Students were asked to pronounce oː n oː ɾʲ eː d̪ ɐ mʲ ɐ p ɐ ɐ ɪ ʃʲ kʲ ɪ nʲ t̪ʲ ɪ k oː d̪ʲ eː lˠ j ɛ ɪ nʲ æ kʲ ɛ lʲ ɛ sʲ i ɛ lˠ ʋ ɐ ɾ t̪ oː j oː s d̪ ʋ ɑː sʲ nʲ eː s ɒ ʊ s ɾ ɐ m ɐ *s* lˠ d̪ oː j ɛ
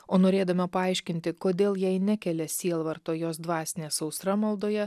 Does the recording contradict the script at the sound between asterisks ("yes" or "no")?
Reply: yes